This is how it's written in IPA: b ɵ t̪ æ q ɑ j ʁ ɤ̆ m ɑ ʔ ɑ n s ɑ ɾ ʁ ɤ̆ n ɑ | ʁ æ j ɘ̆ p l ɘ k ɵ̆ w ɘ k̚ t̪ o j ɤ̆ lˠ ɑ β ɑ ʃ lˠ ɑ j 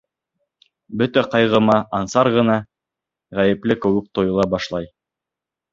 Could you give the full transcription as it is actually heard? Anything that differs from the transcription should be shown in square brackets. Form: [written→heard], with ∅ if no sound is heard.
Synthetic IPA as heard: b ɵ t̪ æ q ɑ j ʁ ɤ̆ m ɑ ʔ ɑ n s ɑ ɾ ʁ ɤ̆ n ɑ | ʁ æ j ɘ̆ p l ɘ k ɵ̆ w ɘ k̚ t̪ o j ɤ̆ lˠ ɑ [β→b] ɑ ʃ lˠ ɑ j